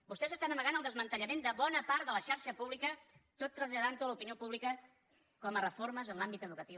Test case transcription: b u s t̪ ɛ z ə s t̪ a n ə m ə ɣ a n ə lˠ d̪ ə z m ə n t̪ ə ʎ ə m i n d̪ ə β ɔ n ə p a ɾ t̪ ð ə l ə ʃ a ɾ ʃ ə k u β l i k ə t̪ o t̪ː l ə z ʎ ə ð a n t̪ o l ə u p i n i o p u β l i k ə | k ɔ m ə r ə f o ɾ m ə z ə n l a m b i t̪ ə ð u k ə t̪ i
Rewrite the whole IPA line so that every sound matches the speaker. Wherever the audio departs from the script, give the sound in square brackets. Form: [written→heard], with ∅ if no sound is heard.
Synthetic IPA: b u s t̪ ɛ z ə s t̪ a n ə m ə ɣ a n ə lˠ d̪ ə z m ə n t̪ ə ʎ ə m [i→e] n d̪ ə β ɔ n ə p a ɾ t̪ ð ə l ə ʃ a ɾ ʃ ə [k→p] u β l i k ə t̪ o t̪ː [l→ɾ] ə z ʎ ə ð a n t̪ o l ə u p i n i o p u β l i k ə | k ɔ m ə r ə f o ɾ m ə z ə n l a m b i t̪ ə ð u k ə t̪ i